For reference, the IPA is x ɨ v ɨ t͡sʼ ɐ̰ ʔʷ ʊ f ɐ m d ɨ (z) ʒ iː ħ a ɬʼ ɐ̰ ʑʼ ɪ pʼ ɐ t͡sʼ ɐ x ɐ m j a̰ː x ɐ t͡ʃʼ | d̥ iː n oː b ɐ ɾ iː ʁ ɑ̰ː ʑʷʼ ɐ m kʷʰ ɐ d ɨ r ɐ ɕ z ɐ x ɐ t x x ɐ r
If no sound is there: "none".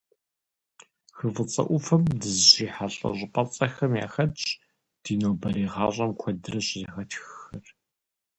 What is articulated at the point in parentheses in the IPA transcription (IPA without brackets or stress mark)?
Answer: z